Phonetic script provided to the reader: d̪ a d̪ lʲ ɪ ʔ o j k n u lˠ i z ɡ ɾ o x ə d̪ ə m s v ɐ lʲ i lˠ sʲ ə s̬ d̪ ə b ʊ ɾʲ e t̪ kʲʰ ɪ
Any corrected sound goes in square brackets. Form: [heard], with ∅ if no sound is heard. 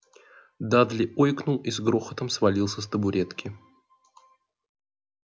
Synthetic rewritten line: d̪ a d̪ lʲ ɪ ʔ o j k n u lˠ i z ɡ ɾ o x ə [t̪] ə m s v ɐ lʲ i lˠ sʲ ə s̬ [t̪] ə b ʊ ɾʲ e t̪ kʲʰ ɪ